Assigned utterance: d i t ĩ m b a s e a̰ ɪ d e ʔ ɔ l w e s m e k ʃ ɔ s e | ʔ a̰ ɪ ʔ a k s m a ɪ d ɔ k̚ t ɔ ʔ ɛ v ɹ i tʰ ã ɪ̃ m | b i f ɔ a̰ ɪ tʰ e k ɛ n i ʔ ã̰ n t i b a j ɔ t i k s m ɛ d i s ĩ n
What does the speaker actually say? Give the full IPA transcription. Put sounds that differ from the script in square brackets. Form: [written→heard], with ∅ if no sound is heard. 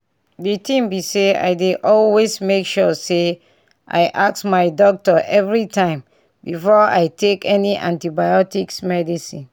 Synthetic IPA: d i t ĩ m b [a→i] s e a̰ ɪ d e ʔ ɔ l w e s m e k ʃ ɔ s e | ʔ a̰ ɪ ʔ a k s m a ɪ d ɔ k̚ t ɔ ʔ ɛ v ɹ i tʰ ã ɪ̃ m | b i f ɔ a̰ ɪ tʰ e k ɛ n i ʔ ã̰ n t i b a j ɔ t i k s m ɛ d i s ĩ n

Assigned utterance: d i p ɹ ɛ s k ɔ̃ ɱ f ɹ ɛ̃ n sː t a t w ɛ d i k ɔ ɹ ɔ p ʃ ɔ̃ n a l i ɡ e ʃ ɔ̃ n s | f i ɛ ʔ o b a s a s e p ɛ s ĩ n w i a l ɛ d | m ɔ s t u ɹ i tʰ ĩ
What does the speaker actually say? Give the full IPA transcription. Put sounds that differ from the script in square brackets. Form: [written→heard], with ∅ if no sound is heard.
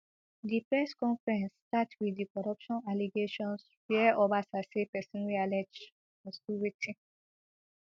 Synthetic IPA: d i p ɹ ɛ s k ɔ̃ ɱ f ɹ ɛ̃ n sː t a t w [ɛ→i] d i k ɔ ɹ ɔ p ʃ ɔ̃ n a l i ɡ e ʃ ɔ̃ n s | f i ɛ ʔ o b a s a s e p ɛ s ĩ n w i a l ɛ [d→d͡ʒ] | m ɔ s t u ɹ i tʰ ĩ

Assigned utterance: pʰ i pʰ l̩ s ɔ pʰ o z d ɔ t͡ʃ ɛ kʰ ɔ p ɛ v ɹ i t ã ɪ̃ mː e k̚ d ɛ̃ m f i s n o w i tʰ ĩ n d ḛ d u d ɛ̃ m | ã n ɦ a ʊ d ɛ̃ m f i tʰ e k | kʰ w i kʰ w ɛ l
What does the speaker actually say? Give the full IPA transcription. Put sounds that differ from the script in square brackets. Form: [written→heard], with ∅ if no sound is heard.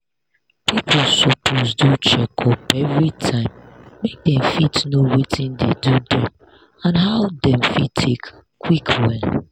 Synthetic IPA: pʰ i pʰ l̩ s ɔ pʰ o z d [ɔ→u] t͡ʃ ɛ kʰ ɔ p ɛ v ɹ i [t→tʰ] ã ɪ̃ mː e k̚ d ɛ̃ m f i [s→t] n o w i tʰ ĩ n d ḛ d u d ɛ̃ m | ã n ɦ a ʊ d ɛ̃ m f i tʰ e k | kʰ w i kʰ w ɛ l

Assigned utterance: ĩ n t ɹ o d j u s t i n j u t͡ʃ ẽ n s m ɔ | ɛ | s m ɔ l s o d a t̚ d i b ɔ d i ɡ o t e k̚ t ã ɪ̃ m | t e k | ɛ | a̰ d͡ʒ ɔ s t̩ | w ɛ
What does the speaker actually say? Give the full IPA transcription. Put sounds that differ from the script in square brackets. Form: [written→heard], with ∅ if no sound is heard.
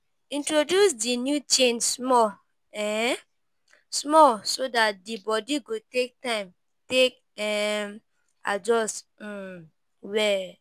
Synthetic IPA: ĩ n t ɹ o d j u s [t→d] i n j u t͡ʃ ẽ n s m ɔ | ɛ | s m ɔ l s o d a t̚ d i b ɔ d i ɡ o t e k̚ t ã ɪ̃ m | t e k | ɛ | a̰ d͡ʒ ɔ s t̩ | w ɛ

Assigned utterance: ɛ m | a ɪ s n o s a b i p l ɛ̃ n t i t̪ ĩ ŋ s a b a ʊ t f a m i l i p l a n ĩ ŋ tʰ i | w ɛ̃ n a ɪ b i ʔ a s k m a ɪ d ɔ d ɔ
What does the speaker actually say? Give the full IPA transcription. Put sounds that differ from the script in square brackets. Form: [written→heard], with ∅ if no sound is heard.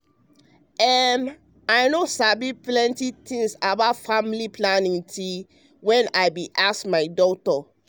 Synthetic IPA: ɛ m | a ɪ [s→∅] n o s a b i p l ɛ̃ n t i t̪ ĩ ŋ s a b a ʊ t f a m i l i p l a n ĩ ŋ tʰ i | w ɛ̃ n a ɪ b i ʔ a s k m a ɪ d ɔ [d→t] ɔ

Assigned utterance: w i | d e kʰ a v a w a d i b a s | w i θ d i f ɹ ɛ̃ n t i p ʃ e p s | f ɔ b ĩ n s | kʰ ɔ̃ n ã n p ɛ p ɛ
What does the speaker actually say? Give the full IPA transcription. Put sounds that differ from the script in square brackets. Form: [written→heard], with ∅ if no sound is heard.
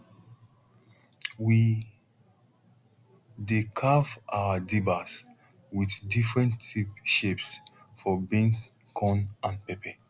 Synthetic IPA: w i | d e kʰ a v a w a d i b a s | w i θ d i f ɹ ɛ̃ n t i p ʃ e p s | f ɔ b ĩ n s | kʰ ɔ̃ n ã n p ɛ p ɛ

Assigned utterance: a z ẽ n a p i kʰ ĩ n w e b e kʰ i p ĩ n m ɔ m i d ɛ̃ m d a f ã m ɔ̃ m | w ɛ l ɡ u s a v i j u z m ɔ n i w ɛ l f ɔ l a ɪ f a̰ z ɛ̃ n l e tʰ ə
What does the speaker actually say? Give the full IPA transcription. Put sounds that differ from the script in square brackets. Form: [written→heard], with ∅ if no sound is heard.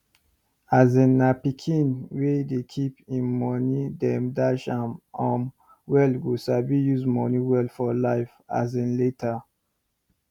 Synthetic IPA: a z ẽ n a p i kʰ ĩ n w e [b→d] e kʰ i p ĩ n m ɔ [m→n] i d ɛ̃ m d a [f→ʃ] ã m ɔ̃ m | w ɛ l ɡ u s a [v→b] i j u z m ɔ n i w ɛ l f ɔ l a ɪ f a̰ z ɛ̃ n l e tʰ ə

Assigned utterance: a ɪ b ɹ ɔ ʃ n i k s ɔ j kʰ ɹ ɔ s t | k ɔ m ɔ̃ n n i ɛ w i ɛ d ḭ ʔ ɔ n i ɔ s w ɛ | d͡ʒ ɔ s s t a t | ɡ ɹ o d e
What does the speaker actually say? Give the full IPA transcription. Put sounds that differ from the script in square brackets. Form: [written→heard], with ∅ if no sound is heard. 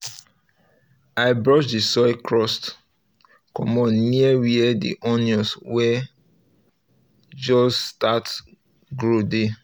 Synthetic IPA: a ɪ b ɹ ɔ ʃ [n→d] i [k→∅] s ɔ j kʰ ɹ ɔ s t | k ɔ m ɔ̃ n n i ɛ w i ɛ d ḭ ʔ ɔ n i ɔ s w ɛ | d͡ʒ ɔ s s t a t | ɡ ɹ o d e

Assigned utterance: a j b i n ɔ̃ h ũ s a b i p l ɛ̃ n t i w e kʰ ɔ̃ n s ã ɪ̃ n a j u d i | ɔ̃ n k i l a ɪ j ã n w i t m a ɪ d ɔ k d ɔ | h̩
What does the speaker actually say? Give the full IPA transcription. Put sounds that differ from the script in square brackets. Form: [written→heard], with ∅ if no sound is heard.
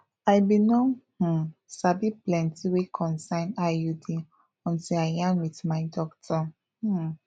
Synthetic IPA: a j b i n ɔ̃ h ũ s a b i p l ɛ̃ n t i w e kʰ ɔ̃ n s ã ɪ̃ n a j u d i | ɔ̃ n [k→t] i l a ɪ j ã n w i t m a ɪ d ɔ k [d→t] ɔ | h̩

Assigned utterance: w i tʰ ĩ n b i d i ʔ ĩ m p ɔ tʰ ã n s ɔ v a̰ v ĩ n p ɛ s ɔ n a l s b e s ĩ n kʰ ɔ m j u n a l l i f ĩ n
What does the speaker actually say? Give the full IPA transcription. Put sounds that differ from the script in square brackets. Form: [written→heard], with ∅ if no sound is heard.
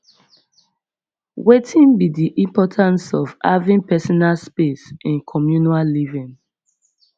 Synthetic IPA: w [i→e] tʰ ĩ n b i d i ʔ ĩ m p ɔ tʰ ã n s ɔ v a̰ v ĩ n p ɛ s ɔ n a l s [b→p] e s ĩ n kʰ ɔ m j u n a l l i [f→v] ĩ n

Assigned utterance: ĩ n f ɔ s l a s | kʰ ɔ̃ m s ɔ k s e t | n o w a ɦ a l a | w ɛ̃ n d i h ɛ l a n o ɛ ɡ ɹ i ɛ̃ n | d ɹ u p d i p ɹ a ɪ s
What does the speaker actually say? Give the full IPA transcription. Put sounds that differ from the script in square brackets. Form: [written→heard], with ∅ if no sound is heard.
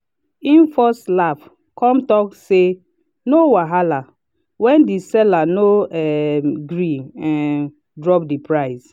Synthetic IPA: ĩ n f ɔ s l a [s→f] | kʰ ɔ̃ m [s→t] ɔ k s e [t→∅] | n o w a ɦ a l a | w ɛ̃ n d i [h→s] ɛ l a n o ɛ ɡ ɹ i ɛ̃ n | d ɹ [u→ɔ] p d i p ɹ a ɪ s

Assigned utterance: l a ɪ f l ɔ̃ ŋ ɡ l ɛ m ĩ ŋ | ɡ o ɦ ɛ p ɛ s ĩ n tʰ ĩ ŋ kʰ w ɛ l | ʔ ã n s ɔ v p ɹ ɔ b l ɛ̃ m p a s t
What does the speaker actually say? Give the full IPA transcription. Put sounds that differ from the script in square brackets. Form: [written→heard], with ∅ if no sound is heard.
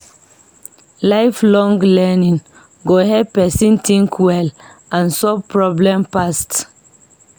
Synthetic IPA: l a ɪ f l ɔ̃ ŋ ɡ l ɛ [m→n] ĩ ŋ | ɡ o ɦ ɛ p ɛ s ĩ n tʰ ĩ ŋ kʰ w ɛ l | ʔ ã n s ɔ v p ɹ ɔ b l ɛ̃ m p a s t

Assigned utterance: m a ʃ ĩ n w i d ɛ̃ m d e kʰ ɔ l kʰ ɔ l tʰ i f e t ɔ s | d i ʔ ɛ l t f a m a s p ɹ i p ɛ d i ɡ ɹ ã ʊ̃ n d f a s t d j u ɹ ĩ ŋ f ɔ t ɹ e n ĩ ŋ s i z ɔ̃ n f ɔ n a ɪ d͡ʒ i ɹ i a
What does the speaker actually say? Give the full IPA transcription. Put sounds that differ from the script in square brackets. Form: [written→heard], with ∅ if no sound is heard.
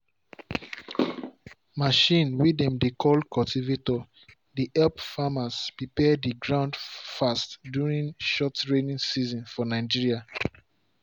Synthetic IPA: m a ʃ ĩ n w i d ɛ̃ m d e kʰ ɔ l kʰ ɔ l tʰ i [f→v] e t ɔ [s→∅] | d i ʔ ɛ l [t→p] f a m a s p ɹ i p ɛ d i ɡ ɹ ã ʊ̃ n d f a s t d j u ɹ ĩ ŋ [f→ʃ] ɔ t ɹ e n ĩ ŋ s i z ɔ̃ n f ɔ n a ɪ d͡ʒ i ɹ i a

